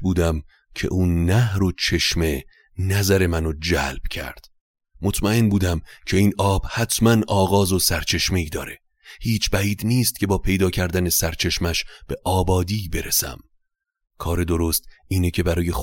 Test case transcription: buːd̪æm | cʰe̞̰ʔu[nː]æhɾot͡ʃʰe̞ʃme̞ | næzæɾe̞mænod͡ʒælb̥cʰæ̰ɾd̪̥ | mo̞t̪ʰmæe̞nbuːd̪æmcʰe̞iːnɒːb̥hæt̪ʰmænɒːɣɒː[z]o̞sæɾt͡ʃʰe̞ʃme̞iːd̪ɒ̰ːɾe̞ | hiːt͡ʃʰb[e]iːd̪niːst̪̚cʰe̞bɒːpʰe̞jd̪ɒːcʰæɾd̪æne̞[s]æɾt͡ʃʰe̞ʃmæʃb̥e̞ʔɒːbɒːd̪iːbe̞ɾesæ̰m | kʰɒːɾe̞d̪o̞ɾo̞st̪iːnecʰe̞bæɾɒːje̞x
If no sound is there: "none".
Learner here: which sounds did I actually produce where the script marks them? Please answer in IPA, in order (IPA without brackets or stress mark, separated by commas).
nː, z, æ, s